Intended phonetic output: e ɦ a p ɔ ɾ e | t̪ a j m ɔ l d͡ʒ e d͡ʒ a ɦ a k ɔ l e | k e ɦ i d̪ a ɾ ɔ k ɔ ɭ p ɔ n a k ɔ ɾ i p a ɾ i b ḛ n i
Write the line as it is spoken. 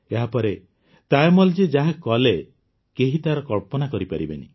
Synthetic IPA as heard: e ɦ a p ɔ ɾ e | t̪ a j m ɔ l d͡ʒ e d͡ʒ a ɦ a k ɔ l e | k e ɦ i t̪ a ɾ ɔ k ɔ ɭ p ɔ n a k ɔ ɾ i p a ɾ i b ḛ n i

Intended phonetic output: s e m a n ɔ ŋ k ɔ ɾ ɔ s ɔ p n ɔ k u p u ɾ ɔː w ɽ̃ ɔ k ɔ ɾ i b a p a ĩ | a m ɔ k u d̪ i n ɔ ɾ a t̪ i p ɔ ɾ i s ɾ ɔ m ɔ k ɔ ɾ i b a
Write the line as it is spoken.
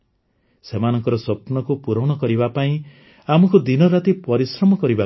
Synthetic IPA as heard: s e m a n ɔ ŋ k ɔ ɾ ɔ s ɔ p n ɔ k u p u ɾ ɔ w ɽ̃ ɔ k ɔ ɾ i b a p a ĩ | a m ɔ k u d̪ i n ɔ ɾ a t̪ i p ɔ ɾ i s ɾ ɔ m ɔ k ɔ ɾ i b a

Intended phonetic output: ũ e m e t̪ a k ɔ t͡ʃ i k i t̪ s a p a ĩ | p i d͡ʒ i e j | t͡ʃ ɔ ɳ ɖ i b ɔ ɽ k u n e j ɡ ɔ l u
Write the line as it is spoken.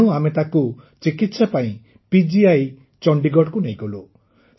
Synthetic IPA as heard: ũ a m e t̪ a k u t͡ʃ i k i t̪ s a p a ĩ | p i d͡ʒ i a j | t͡ʃ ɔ ɳ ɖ i ɡ ɔ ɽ k u n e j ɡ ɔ l u

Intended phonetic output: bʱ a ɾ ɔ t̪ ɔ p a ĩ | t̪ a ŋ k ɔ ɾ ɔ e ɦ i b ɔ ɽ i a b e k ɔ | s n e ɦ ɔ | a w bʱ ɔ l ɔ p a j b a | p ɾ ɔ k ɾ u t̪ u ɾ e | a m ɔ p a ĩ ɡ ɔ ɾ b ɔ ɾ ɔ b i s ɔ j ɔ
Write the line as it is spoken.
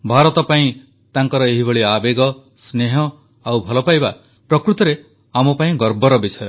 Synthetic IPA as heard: bʱ a ɾ ɔ t̪ ɔ p a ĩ | t̪ a ŋ k ɔ ɾ ɔ e ɦ i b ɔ ɭ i a b e ɡ ɔ | s n e ɦ ɔ | a w bʱ ɔ l ɔ p a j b a | p ɾ ɔ k ɾ u t̪ ɔ ɾ e | a m ɔ p a ĩ ɡ ɔ ɾ b ɔ ɾ ɔ b i s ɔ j ɔ

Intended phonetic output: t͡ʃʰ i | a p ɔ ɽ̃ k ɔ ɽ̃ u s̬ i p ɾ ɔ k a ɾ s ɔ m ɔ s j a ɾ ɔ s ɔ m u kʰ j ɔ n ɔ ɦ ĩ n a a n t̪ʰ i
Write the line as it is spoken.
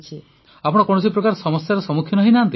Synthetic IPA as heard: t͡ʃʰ i | a p ɔ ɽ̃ k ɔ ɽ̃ ɔ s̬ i p ɾ ɔ k a ɾ s ɔ m ɔ s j a ɾ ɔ s ɔ m u kʰ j ɔ n ɔ ɦ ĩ n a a n t̪ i

